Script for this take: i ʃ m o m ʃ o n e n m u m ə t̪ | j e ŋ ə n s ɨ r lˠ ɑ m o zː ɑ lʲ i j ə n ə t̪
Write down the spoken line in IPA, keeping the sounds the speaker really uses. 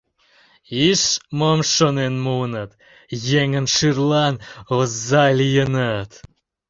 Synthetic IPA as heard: i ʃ m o m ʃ o n e n m u n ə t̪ | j e ŋ ə n ʃ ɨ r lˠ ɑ n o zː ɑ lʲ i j ə n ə t̪